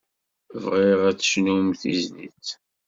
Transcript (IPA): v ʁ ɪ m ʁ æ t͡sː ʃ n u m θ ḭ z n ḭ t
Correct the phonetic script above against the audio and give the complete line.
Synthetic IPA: v ʁ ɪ ʁ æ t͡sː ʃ n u m θ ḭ z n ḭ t